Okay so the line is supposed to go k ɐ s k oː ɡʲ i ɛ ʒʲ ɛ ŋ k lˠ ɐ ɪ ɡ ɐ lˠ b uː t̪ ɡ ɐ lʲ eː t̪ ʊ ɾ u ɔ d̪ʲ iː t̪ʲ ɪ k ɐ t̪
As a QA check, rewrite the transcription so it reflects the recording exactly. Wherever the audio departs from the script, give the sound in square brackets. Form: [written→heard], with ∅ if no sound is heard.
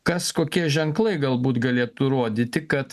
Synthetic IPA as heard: k ɐ s k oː [ɡʲ→kʲ] i ɛ ʒʲ ɛ ŋ k lˠ ɐ ɪ ɡ ɐ lˠ b uː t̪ ɡ ɐ lʲ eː t̪ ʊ ɾ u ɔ d̪ʲ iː t̪ʲ ɪ k ɐ t̪

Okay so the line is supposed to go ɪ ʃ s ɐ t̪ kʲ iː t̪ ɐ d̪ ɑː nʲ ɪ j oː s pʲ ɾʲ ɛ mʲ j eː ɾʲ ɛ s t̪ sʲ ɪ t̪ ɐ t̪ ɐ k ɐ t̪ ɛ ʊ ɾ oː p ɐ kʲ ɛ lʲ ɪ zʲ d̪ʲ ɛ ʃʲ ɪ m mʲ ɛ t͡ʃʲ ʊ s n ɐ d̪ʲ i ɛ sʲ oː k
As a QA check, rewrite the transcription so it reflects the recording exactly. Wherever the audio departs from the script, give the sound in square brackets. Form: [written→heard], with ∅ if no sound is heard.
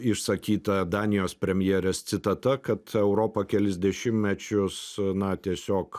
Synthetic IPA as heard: ɪ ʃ s ɐ [t̪→∅] kʲ iː t̪ ɐ d̪ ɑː nʲ ɪ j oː s pʲ ɾʲ ɛ mʲ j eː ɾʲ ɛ s t̪ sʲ ɪ t̪ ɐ t̪ ɐ k ɐ t̪ ɛ ʊ ɾ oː p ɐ kʲ ɛ lʲ ɪ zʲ d̪ʲ ɛ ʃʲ ɪ m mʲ ɛ t͡ʃʲ ʊ s n ɐ [d̪ʲ→t̪ʲ] i ɛ sʲ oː k

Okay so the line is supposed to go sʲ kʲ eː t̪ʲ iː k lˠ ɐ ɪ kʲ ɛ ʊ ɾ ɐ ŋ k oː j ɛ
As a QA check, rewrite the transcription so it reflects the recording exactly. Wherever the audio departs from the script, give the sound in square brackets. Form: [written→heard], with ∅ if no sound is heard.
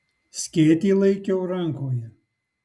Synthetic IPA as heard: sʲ kʲ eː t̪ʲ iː [k→∅] lˠ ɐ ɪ kʲ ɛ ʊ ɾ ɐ ŋ k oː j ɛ

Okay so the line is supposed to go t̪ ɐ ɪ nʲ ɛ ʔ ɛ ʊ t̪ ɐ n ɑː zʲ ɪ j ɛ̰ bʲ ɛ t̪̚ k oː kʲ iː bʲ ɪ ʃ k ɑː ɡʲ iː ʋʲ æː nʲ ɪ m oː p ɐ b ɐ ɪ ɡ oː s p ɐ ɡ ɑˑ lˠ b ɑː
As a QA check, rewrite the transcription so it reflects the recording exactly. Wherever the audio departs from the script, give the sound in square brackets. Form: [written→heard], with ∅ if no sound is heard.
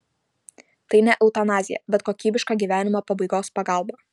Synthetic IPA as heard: t̪ ɐ ɪ nʲ ɛ ʔ ɛ ʊ t̪ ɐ n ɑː zʲ ɪ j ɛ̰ bʲ ɛ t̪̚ k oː kʲ iː bʲ ɪ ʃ k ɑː ɡʲ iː ʋʲ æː nʲ ɪ m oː p ɐ b ɐ ɪ ɡ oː s p ɐ ɡ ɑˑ lˠ b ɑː

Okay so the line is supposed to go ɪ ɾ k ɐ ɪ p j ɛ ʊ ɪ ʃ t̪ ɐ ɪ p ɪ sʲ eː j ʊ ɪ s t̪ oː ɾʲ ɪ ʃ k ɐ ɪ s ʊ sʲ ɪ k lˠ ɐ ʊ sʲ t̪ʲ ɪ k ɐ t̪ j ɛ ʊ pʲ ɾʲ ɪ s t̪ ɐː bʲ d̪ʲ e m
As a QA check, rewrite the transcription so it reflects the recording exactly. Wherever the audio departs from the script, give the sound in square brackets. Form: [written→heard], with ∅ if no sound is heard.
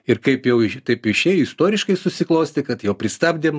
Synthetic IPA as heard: ɪ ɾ k ɐ ɪ p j ɛ ʊ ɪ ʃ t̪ ɐ ɪ p ɪ [sʲ→ʃʲ] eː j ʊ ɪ s t̪ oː ɾʲ ɪ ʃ k ɐ ɪ s ʊ sʲ ɪ k lˠ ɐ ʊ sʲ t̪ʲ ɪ k ɐ t̪ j ɛ ʊ pʲ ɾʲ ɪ s t̪ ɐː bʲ d̪ʲ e m

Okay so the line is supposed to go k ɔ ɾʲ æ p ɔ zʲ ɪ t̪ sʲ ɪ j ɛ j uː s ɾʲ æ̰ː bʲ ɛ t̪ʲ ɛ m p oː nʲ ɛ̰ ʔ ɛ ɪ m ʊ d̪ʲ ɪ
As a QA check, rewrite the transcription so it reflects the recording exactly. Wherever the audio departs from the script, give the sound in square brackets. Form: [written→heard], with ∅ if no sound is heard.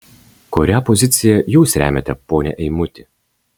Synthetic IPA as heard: k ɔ ɾʲ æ p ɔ zʲ ɪ t̪ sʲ ɪ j ɛ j uː s ɾʲ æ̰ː [bʲ→mʲ] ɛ t̪ʲ ɛ [m→∅] p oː nʲ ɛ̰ ʔ ɛ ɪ m ʊ [d̪ʲ→t̪ʲ] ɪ

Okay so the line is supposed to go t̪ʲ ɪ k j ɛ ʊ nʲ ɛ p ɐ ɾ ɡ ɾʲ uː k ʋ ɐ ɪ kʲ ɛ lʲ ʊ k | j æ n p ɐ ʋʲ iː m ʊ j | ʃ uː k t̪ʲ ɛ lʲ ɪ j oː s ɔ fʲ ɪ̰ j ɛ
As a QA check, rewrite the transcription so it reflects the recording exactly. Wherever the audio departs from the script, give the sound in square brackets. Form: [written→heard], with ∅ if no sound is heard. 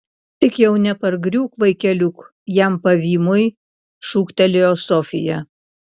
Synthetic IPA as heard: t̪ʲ ɪ k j ɛ ʊ nʲ ɛ p ɐ ɾ ɡ ɾʲ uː k ʋ ɐ ɪ kʲ ɛ lʲ ʊ k | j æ [n→m] p ɐ ʋʲ iː m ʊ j | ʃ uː k t̪ʲ ɛ lʲ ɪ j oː s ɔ fʲ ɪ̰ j ɛ

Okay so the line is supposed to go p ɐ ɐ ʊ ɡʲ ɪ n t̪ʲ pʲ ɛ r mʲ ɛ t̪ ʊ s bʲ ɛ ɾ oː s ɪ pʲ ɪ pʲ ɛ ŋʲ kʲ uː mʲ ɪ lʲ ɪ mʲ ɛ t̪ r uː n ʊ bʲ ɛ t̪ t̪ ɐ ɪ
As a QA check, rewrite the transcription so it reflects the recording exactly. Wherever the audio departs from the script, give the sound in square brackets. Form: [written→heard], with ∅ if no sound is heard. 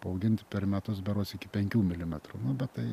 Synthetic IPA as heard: p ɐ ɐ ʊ ɡʲ ɪ n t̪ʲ pʲ ɛ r mʲ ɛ t̪ ʊ s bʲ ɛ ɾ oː s ɪ [pʲ→kʲ] ɪ pʲ ɛ ŋʲ kʲ uː mʲ ɪ lʲ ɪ mʲ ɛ t̪ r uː n ʊ bʲ ɛ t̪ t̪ ɐ ɪ

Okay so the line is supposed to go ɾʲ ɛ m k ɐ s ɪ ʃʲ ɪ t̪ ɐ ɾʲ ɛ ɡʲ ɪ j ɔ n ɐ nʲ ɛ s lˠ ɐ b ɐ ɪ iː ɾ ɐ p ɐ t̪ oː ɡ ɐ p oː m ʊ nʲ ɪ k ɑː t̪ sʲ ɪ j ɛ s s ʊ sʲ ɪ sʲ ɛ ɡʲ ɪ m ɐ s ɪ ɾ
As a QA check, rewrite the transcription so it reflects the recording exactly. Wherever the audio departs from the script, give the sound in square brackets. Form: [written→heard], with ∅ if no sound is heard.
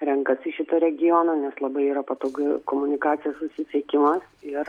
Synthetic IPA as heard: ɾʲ ɛ [m→ŋ] k ɐ s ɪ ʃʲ ɪ t̪ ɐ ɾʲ ɛ ɡʲ ɪ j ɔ n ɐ nʲ ɛ s lˠ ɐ b ɐ ɪ iː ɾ ɐ p ɐ t̪ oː ɡ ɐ [p→k] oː m ʊ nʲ ɪ k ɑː t̪ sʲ ɪ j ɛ s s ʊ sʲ ɪ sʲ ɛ [ɡʲ→kʲ] ɪ m ɐ s ɪ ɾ

